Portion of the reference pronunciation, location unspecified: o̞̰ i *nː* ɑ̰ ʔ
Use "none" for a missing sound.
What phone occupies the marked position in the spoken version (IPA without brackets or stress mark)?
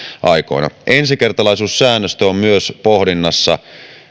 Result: n